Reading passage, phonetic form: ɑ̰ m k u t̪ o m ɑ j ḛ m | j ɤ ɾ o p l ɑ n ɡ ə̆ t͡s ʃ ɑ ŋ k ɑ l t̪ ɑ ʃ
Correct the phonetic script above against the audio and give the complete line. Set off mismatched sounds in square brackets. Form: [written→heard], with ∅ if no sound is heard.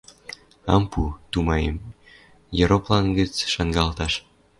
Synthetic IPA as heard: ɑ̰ m [k→p] u t̪ [o→u] m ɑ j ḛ m | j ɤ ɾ o p l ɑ n ɡ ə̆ t͡s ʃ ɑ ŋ [k→ɡ] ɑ l t̪ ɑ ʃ